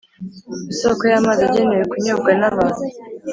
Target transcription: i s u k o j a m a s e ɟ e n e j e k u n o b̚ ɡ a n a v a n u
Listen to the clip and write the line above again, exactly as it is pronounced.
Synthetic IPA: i s o k o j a m a z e ɟ e n e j e k u ɲ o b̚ ɡ a n a β a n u